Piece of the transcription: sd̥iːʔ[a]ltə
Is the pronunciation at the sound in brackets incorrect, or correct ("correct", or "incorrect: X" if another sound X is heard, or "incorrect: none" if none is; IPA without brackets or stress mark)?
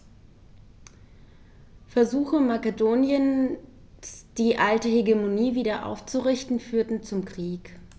correct